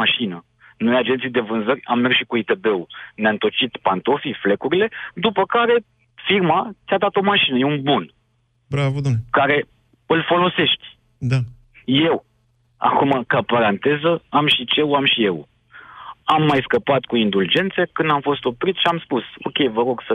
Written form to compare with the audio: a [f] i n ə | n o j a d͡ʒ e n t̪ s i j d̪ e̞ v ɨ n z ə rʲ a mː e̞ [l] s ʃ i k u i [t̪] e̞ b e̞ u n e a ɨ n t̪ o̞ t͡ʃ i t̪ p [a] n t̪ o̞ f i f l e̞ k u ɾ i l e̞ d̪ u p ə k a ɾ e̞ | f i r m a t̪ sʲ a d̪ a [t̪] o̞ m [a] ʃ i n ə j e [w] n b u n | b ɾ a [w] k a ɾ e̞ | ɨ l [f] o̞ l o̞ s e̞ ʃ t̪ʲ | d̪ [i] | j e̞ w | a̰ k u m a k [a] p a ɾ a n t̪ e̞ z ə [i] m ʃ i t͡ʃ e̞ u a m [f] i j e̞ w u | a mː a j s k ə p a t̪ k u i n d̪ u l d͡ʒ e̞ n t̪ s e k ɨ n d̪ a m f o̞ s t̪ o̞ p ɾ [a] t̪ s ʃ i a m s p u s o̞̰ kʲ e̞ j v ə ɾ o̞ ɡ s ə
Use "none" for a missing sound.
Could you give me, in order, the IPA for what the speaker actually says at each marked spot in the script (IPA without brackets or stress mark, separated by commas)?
ʃ, r, t̪, a, t̪, a, u, v, f, a, a, a, ʃ, i